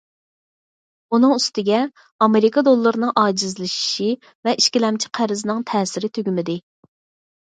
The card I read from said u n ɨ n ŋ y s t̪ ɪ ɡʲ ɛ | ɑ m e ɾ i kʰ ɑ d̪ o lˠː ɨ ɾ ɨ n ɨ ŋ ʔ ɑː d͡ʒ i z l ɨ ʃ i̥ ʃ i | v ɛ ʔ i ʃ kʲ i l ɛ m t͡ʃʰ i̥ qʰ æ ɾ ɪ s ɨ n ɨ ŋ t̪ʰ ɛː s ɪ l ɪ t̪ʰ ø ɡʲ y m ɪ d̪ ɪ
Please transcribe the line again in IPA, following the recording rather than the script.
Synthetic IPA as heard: u n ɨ ŋ y s t̪ ɪ ɡʲ ɛ | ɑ m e ɾ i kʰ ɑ d̪ o lˠː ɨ ɾ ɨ n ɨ ŋ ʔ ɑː d͡ʒ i z l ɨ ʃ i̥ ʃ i | v ɛ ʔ i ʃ kʲ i l ɛ m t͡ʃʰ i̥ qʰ æ ɾ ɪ z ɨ n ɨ ŋ t̪ʰ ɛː s ɪ ɾ ɪ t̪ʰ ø ɡʲ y m ɪ d̪ ɪ